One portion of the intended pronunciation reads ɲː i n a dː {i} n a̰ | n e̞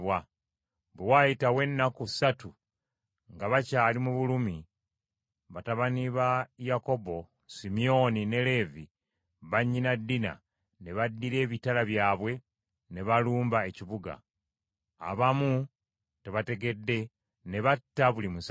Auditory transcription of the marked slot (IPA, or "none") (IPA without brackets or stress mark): i